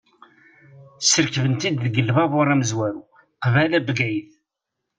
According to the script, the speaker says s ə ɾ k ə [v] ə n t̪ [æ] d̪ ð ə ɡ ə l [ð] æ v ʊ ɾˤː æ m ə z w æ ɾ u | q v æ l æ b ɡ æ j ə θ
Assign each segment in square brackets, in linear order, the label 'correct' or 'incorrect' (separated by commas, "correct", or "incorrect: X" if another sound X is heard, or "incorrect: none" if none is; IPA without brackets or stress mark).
correct, incorrect: i, incorrect: v